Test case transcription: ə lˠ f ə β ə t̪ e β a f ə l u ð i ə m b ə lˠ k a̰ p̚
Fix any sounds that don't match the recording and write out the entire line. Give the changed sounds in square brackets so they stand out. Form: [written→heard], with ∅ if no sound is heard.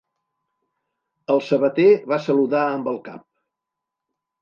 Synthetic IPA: ə lˠ [f→s] ə β ə t̪ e β a [f→s] ə l u ð [i→a] ə m b ə lˠ k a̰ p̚